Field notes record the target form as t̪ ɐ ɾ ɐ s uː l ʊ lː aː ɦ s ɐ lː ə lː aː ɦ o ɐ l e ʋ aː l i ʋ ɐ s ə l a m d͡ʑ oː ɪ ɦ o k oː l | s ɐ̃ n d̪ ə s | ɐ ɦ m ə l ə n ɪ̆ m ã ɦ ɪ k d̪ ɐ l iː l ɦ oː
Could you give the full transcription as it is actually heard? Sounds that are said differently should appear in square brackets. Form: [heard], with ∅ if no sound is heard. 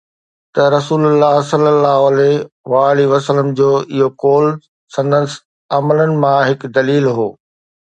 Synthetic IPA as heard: t̪ ɐ ɾ ɐ s uː l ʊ lː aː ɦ s ɐ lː ə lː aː ɦ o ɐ l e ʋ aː l i ʋ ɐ s ə l [ə] m d͡ʑ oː ɪ ɦ o k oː l | s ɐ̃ n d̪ ə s | ɐ [∅] m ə l ə n ɪ̆ m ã ɦ ɪ k d̪ ɐ l iː l ɦ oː